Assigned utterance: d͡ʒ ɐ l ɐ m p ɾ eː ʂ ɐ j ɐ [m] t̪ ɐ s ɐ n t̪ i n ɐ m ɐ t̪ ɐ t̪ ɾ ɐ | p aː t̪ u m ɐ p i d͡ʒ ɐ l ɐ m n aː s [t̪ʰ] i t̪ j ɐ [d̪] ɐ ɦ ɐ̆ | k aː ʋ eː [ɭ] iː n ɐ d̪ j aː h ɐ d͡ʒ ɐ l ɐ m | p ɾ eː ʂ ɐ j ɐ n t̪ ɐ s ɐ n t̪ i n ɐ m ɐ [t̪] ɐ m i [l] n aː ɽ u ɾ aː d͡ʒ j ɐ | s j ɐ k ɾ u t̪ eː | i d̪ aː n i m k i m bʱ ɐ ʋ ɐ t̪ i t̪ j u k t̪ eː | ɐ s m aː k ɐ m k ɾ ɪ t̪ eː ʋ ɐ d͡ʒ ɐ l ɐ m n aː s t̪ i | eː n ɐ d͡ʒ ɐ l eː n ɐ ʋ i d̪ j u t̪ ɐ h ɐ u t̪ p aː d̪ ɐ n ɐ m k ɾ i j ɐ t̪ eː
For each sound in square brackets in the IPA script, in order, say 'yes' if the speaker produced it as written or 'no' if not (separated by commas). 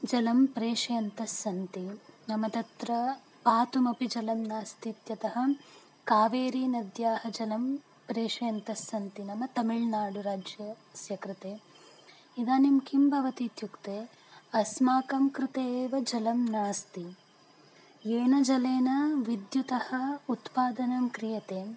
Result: no, no, no, no, yes, no